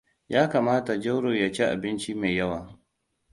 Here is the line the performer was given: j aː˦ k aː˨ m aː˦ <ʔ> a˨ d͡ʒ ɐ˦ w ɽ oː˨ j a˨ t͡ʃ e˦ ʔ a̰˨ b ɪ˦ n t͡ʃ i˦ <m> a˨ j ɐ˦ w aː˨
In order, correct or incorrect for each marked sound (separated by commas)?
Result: incorrect, correct